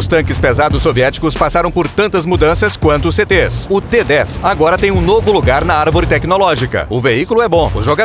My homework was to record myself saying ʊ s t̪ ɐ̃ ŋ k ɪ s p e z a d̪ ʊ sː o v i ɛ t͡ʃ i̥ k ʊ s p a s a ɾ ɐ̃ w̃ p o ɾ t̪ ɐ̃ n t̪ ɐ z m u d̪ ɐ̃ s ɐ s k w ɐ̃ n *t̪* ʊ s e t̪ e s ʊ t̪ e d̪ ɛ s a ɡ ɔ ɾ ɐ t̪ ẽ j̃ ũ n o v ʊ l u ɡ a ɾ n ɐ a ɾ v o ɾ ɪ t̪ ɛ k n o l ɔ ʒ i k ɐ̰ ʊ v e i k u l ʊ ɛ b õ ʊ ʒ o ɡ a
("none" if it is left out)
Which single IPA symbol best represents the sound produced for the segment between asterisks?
t̪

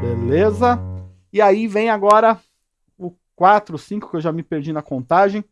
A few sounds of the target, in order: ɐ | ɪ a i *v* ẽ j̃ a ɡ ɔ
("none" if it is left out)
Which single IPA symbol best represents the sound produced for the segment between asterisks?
v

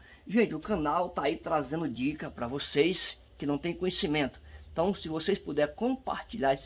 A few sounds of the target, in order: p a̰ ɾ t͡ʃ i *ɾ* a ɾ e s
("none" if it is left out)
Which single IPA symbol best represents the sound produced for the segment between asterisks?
ʎ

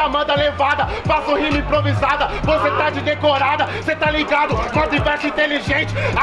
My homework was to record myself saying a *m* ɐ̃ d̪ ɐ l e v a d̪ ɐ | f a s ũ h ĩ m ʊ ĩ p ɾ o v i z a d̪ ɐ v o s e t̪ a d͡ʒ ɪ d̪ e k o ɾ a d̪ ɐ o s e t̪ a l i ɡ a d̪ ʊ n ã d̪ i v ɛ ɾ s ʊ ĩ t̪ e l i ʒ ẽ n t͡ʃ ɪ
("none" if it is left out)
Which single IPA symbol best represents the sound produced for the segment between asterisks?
m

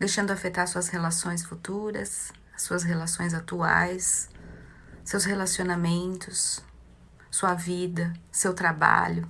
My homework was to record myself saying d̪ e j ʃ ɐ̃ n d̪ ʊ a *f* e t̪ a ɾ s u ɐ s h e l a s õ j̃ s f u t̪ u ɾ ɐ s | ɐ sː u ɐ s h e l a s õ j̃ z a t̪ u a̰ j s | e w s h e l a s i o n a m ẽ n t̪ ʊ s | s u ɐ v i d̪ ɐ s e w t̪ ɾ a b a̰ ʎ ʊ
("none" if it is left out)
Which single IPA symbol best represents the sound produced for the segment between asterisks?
f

